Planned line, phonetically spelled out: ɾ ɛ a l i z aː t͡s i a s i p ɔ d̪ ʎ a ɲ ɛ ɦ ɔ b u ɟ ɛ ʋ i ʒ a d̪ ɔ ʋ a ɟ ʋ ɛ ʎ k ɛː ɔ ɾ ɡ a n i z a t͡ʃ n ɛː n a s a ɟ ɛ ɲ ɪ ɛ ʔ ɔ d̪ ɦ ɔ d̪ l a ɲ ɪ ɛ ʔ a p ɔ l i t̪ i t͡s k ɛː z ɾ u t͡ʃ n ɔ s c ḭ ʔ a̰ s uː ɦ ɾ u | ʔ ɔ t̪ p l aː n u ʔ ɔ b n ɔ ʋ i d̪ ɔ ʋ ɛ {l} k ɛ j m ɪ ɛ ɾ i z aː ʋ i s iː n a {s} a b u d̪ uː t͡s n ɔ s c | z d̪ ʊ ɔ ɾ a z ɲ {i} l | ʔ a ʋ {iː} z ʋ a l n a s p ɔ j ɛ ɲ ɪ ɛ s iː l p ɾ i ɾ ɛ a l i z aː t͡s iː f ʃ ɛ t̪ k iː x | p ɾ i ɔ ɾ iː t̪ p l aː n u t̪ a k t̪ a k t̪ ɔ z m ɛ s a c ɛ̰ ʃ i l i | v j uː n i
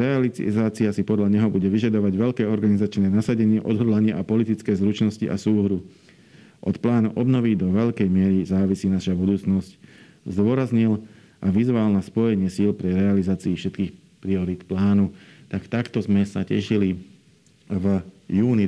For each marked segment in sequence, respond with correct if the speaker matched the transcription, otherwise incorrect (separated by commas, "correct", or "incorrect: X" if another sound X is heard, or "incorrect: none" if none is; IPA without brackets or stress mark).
incorrect: ʎ, incorrect: ʃ, correct, incorrect: i